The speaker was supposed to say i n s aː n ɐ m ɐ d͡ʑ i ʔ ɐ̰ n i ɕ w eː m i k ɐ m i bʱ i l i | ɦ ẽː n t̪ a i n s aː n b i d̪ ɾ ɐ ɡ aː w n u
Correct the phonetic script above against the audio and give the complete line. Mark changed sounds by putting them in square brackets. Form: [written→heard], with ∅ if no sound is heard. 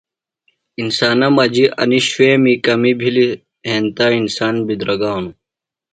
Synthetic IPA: i n s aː n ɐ m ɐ d͡ʑ i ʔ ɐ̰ n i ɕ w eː m i k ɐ m i bʱ i l i | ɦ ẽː n t̪ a i n s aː n b i d̪ ɾ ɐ ɡ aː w n u